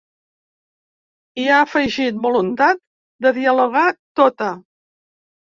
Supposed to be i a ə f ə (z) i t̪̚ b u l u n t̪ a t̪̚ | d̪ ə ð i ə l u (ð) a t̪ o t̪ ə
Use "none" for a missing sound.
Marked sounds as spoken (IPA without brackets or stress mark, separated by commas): ʒ, ɣ